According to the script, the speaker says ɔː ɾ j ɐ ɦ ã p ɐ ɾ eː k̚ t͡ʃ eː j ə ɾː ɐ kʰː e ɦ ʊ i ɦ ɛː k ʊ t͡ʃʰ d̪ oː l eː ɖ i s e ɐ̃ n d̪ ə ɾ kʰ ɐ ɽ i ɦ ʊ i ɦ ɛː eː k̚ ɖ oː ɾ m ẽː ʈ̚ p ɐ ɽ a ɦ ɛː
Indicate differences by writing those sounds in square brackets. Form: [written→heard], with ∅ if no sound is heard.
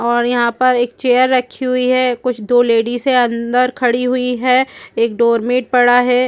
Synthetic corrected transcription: ɔː ɾ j ɐ ɦ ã p ɐ ɾ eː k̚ t͡ʃ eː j ə ɾː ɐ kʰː [e→i] ɦ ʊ i ɦ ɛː k ʊ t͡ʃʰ d̪ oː l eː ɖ i s e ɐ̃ n d̪ ə ɾ kʰ ɐ ɽ i ɦ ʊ i ɦ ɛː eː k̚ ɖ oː ɾ m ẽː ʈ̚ p ɐ ɽ a ɦ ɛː